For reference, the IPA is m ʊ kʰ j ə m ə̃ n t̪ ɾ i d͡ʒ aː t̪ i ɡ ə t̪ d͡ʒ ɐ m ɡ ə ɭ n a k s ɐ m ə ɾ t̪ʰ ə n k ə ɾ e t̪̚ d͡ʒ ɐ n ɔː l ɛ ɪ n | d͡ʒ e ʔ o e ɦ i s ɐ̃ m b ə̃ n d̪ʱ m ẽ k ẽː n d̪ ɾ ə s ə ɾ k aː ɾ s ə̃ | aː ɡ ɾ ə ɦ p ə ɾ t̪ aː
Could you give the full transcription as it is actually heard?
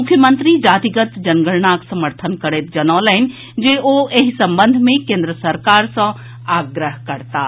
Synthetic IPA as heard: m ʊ kʰ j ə m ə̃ n t̪ ɾ i d͡ʒ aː t̪ i ɡ ə t̪ d͡ʒ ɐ n ɡ ə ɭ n a k s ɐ m ə ɾ t̪ʰ ə n k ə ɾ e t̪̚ d͡ʒ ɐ n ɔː l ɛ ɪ n | d͡ʒ e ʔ o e ɦ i s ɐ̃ m b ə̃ n d̪ʱ m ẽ k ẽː n d̪ ɾ ə s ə ɾ k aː ɾ s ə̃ | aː ɡ ɾ ə ɦ k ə ɾ t̪ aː